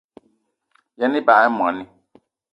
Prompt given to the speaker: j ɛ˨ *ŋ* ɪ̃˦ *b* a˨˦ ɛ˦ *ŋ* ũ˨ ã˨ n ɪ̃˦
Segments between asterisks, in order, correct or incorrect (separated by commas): incorrect, correct, incorrect